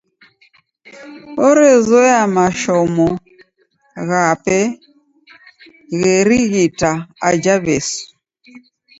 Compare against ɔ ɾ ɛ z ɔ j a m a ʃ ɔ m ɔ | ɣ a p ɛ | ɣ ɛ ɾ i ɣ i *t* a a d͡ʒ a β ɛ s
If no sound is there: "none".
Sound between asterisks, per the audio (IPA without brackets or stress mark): t